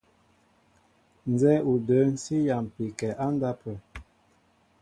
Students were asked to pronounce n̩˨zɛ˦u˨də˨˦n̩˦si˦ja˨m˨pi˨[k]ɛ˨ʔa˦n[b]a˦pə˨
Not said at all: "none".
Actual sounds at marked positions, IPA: k, d

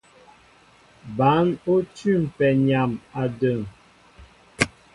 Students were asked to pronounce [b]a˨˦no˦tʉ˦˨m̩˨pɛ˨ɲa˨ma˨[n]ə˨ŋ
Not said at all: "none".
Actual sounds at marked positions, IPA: b, d

